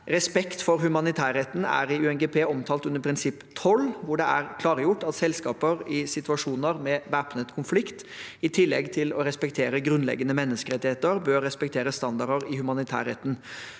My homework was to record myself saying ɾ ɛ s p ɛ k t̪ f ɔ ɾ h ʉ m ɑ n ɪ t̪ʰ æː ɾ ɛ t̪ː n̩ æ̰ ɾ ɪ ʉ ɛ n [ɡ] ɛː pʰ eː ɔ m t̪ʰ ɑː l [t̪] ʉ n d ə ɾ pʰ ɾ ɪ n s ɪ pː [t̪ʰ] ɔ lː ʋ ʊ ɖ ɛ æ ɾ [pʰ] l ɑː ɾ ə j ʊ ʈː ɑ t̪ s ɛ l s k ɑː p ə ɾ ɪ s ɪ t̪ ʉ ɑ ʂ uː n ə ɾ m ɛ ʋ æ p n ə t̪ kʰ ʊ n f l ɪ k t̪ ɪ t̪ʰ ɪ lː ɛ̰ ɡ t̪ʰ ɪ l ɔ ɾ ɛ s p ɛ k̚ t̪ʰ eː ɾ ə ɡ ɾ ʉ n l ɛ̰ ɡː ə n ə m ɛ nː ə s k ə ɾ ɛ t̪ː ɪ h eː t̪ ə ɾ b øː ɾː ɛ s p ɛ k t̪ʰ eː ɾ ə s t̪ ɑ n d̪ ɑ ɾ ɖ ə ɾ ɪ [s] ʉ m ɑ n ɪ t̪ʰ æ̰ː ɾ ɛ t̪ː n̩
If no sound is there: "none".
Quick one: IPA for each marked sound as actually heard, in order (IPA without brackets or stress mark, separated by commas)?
ɡ, t̪, t̪ʰ, kʰ, h